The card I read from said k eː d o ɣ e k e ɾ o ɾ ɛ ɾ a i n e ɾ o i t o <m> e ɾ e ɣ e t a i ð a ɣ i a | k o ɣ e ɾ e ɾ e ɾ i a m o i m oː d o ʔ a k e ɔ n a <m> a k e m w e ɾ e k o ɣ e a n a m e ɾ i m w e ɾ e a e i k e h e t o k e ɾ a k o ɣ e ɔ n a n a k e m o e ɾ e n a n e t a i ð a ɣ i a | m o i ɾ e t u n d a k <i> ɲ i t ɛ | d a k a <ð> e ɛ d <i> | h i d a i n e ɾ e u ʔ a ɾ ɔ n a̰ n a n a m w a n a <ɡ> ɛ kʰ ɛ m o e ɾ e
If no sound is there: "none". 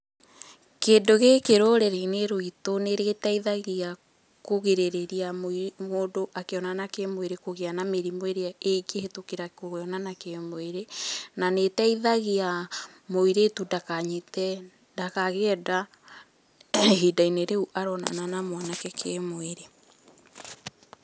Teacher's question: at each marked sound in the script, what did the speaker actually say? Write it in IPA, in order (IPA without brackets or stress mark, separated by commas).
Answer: n, n, a, ɣ, a, k